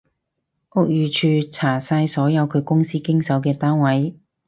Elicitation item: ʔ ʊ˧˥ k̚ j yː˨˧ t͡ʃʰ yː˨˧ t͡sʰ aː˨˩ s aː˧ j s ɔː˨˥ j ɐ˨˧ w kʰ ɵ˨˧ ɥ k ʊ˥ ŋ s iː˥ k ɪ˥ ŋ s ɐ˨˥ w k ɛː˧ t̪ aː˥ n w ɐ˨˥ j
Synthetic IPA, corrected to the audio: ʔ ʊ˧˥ k̚ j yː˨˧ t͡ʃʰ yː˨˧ t͡sʰ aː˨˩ s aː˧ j s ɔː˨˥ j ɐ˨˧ w kʰ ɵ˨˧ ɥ k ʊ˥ ŋ s iː˥ k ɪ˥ ŋ s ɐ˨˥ w k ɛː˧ t̪ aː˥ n w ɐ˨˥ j